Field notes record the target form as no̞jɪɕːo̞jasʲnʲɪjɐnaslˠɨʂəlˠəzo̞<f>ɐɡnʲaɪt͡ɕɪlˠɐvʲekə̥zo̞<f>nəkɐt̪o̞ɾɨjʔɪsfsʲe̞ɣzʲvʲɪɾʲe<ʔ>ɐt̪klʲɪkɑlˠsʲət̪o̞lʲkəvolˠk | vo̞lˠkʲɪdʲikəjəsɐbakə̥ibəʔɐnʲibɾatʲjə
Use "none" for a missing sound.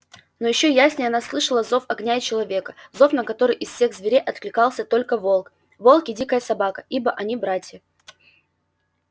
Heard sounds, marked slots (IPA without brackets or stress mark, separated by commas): f, f, ʔ